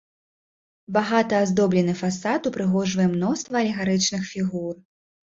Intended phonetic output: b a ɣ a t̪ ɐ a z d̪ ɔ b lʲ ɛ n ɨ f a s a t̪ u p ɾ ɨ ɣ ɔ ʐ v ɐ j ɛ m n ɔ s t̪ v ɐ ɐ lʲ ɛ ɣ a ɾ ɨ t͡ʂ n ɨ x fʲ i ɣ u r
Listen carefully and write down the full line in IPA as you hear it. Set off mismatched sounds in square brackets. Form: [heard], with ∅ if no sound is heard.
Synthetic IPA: b a ɣ a t̪ ɐ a z d̪ ɔ b lʲ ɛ n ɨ f a s a t̪ u p ɾ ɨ ɣ ɔ ʐ v ɐ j ɛ m n ɔ s t̪ v ɐ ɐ lʲ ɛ ɣ a ɾ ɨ t͡ʂ n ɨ x fʲ i ɣ u r